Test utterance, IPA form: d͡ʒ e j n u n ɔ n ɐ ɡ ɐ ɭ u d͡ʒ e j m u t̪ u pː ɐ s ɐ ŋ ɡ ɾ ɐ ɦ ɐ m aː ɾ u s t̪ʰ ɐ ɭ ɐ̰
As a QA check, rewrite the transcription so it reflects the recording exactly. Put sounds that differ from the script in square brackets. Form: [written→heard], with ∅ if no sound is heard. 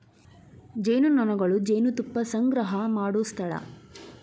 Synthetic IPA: d͡ʒ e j n u n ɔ n ɐ ɡ ɐ ɭ u d͡ʒ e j [m→n] u t̪ u pː ɐ s ɐ ŋ ɡ ɾ ɐ ɦ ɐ m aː [ɾ→ɽ] u s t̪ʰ ɐ ɭ ɐ̰